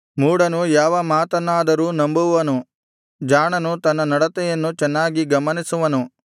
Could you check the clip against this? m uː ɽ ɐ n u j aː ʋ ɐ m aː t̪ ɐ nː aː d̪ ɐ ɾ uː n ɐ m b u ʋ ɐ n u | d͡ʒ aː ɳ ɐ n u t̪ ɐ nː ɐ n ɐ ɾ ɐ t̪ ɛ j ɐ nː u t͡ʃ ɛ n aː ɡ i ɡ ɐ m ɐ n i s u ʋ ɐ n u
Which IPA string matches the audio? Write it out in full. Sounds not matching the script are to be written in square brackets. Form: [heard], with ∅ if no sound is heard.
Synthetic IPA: m uː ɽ ɐ n u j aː ʋ ɐ m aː t̪ ɐ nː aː d̪ ɐ ɾ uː n ɐ m b u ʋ ɐ n u | d͡ʒ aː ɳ ɐ n u t̪ ɐ nː ɐ n ɐ [ɽ] ɐ t̪ ɛ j ɐ nː u t͡ʃ ɛ [nː] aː ɡ i ɡ ɐ m ɐ n i s u ʋ ɐ n u